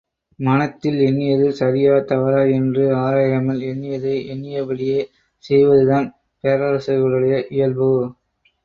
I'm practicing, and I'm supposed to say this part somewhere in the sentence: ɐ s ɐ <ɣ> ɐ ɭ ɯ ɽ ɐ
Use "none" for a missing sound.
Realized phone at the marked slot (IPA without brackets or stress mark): ɣ